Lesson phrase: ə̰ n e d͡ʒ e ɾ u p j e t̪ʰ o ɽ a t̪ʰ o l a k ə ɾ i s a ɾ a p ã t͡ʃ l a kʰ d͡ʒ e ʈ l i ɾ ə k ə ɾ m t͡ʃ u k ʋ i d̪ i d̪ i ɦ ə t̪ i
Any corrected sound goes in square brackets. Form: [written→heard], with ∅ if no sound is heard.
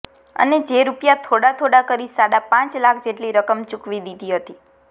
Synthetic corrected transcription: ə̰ n e d͡ʒ e ɾ u p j [e→a] t̪ʰ o ɽ a t̪ʰ o [l→ɽ] a k ə ɾ i s a [ɾ→ɽ] a p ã t͡ʃ l a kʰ d͡ʒ e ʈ l i ɾ ə k ə [ɾ→∅] m t͡ʃ u k ʋ i d̪ i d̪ i ɦ ə t̪ i